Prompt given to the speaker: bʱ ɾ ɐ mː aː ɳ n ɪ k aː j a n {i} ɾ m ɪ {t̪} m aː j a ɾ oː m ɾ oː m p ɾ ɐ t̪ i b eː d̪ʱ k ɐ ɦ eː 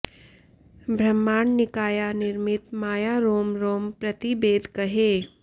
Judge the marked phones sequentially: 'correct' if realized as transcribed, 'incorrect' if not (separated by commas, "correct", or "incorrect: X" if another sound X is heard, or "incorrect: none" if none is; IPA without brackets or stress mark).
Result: incorrect: ɪ, correct